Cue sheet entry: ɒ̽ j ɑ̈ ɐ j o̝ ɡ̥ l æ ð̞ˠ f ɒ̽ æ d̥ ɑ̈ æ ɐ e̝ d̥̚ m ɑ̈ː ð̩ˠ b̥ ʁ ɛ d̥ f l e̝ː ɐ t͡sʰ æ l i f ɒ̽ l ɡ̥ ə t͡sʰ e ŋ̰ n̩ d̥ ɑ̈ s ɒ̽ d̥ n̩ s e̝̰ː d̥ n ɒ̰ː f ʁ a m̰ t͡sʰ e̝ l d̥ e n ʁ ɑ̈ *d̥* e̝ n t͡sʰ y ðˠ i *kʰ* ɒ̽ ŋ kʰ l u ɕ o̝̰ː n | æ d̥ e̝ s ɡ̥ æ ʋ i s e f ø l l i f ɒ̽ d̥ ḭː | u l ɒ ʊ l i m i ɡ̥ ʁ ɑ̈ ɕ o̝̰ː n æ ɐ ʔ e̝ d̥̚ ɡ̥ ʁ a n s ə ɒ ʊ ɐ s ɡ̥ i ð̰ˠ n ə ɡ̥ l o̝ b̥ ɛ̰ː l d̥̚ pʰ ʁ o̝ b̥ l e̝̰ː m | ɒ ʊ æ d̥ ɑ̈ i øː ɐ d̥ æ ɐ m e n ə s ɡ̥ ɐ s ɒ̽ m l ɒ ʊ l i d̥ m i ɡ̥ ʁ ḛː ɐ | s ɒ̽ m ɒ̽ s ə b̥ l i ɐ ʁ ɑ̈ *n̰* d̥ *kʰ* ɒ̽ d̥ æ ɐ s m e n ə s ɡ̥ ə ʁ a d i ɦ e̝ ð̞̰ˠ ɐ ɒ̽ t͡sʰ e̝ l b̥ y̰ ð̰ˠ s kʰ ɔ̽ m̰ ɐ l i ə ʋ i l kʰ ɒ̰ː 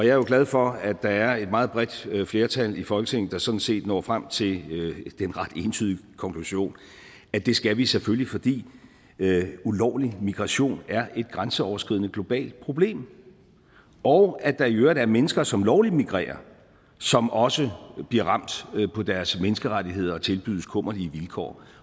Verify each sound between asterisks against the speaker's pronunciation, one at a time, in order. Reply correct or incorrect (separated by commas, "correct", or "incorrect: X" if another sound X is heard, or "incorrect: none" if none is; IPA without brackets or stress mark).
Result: correct, correct, incorrect: m̰, incorrect: pʰ